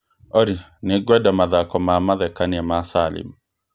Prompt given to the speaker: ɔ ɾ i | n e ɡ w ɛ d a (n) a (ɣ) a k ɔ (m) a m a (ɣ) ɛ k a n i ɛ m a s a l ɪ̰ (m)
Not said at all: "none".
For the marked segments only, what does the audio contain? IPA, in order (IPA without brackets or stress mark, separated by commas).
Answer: m, ð, m, ð, m